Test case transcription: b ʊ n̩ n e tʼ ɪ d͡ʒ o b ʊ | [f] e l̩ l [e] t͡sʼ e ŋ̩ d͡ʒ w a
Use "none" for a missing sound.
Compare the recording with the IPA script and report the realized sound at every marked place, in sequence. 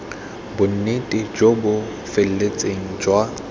f, e

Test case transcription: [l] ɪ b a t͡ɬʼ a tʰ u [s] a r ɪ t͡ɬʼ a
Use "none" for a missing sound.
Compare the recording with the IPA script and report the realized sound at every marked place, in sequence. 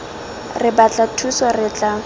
r, s

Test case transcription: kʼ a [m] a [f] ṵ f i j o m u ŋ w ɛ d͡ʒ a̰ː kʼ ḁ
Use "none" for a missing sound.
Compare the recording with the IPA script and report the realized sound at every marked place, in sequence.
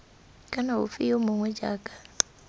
n, none

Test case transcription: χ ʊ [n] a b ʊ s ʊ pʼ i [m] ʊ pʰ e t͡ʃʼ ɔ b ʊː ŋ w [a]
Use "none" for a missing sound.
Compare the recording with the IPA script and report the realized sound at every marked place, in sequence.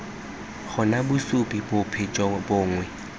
n, b, ɛ

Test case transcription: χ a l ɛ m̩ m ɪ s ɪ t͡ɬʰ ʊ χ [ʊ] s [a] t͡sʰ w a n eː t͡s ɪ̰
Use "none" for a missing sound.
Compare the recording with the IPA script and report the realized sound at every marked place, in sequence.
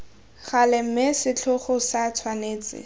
ʊ, a

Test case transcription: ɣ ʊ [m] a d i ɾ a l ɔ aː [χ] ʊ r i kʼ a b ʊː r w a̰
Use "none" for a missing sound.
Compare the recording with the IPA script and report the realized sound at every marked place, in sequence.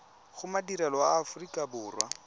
m, f

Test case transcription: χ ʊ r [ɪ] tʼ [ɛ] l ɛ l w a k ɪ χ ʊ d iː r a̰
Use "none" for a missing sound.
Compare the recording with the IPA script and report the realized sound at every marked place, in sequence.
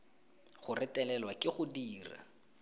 ɪ, ɛ

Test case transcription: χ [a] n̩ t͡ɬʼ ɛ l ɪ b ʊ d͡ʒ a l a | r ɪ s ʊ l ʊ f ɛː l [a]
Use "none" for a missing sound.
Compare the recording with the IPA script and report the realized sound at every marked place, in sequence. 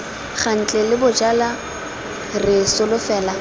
a, a

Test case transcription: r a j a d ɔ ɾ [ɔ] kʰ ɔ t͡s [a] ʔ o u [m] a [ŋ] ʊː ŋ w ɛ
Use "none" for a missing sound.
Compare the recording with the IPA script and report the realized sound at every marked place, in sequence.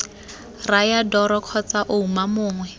ɔ, a, m, m

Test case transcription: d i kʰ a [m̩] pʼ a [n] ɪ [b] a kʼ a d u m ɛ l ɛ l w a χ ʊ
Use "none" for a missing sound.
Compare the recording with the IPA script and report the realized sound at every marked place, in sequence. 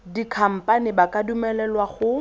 m̩, n, b

